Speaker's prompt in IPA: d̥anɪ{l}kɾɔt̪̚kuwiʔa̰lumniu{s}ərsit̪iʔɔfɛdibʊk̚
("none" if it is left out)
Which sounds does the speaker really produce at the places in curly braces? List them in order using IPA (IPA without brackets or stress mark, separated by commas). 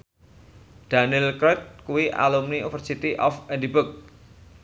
l, f